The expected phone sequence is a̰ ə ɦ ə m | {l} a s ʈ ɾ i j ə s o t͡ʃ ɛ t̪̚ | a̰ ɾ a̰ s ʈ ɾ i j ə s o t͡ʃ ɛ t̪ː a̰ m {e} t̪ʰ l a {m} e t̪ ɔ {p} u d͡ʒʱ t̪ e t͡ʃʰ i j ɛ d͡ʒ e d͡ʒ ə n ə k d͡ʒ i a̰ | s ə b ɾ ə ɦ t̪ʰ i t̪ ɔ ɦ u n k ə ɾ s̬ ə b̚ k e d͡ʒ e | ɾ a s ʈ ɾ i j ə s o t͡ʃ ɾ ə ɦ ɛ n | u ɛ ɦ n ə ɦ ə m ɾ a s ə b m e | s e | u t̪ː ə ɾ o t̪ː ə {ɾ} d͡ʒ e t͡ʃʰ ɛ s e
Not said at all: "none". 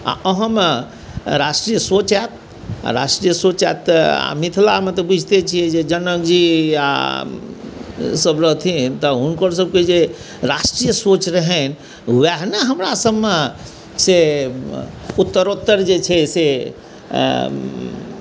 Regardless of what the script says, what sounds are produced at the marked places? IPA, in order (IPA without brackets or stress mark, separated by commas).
ɾ, i, m, b, ɾ